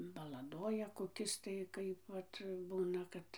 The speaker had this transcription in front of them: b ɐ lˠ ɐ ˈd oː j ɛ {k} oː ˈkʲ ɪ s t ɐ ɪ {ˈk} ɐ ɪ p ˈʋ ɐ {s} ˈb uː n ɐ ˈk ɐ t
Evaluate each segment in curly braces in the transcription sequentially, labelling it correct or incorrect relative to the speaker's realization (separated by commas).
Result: correct, correct, incorrect